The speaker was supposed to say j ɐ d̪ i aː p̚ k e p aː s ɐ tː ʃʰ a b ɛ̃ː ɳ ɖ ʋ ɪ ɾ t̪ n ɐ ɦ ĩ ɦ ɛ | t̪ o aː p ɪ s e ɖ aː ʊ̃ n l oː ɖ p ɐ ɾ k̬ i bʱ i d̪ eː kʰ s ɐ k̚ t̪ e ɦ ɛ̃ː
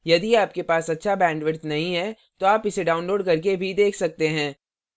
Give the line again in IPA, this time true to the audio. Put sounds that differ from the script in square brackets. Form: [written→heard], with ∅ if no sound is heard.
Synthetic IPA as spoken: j ɐ d̪ i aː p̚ k e p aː s ɐ tː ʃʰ a b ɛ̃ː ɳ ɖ ʋ ɪ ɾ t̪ n ɐ ɦ ĩ ɦ ɛ | t̪ o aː p ɪ s e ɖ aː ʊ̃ n l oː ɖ [p→k] ɐ ɾ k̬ [i→e] bʱ i d̪ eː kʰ s ɐ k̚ t̪ e ɦ ɛ̃ː